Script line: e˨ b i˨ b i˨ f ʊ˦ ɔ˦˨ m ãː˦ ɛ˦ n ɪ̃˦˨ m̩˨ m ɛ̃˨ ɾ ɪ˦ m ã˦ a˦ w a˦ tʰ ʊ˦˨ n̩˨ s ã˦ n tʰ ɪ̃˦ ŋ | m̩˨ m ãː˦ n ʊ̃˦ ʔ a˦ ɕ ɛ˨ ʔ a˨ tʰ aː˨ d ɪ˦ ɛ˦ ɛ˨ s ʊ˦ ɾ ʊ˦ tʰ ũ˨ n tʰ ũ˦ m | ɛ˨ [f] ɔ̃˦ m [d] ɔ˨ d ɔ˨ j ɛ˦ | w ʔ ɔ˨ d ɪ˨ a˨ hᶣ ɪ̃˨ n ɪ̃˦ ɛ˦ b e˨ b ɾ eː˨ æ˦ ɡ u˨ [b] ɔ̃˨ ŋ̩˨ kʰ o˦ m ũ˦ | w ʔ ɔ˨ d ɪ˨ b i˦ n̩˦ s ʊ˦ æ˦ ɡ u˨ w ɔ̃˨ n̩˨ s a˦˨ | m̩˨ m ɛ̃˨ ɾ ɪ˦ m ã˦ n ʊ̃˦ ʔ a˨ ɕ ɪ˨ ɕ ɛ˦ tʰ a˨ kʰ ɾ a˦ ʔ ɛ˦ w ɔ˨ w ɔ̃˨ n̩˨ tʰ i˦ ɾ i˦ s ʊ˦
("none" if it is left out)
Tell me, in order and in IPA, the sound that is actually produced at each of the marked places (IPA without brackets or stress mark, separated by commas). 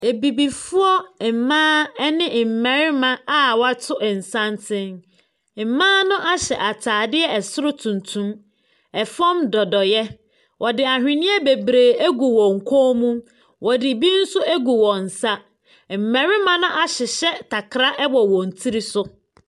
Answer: f, d, w